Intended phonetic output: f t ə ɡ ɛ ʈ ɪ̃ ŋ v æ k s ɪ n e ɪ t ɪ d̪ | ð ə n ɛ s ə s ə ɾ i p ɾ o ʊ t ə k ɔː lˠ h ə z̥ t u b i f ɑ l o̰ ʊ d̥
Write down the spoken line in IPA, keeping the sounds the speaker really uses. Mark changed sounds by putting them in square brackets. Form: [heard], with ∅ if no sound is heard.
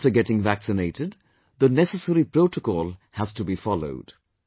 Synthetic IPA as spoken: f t ə ɡ ɛ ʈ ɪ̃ ŋ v æ k s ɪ n e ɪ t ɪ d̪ | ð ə n ɛ s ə s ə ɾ i p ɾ o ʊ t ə k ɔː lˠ h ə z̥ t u b i f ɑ l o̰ ʊ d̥